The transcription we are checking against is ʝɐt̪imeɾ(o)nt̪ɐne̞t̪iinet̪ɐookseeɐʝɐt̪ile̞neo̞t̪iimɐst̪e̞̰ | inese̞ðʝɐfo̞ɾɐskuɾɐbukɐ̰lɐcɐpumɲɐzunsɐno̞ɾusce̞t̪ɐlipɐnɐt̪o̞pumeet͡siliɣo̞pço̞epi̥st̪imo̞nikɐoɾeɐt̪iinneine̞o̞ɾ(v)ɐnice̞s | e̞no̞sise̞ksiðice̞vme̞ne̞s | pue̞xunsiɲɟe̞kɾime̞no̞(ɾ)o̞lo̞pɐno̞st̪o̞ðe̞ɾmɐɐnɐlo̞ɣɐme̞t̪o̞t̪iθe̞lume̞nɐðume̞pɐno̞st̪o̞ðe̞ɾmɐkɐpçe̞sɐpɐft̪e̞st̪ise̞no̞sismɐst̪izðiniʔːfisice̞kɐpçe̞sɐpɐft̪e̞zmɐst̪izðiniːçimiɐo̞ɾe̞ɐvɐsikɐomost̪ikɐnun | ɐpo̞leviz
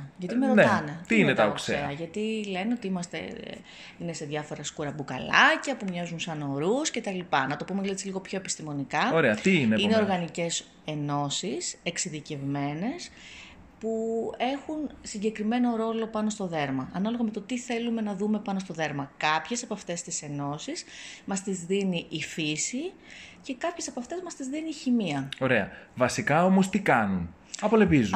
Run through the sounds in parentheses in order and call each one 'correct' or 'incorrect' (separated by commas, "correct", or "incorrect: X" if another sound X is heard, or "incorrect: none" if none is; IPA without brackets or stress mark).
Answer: correct, incorrect: ɣ, correct